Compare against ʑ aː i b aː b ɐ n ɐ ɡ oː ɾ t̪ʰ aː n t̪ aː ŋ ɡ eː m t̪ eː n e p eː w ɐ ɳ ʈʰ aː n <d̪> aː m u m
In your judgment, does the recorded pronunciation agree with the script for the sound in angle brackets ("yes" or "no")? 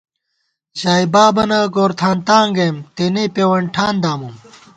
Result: yes